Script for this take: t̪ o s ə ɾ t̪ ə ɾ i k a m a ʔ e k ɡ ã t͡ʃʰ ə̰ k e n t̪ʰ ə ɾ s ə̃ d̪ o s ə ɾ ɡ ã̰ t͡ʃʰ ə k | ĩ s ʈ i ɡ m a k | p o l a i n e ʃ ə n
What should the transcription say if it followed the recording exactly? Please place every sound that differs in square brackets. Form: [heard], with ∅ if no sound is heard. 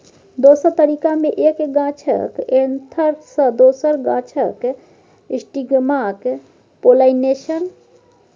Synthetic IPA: [d̪] o s ə ɾ t̪ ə ɾ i k a m [e] ʔ e k ɡ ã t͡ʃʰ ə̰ k e n t̪ʰ ə ɾ s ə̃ d̪ o s ə ɾ ɡ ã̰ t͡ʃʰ ə k | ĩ s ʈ i ɡ m a k | p o l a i n e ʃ ə n